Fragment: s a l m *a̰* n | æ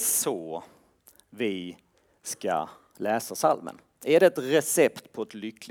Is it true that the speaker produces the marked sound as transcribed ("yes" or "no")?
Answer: no